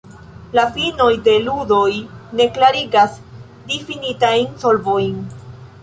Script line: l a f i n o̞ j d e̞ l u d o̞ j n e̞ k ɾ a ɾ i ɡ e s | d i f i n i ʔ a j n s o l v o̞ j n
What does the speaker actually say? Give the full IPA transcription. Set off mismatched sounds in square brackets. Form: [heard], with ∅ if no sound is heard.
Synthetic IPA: l a f i n o̞ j d e̞ l u d o̞ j n e̞ k [l] a ɾ i ɡ [a] s | d i f i n i [t] a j n s o l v o̞ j n